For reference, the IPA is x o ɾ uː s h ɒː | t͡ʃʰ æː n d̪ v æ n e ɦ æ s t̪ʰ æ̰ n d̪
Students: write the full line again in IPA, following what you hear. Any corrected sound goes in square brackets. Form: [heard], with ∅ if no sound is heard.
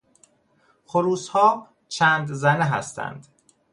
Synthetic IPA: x o ɾ uː s h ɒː | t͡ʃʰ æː n d̪ [z] æ n e ɦ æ s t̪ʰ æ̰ n d̪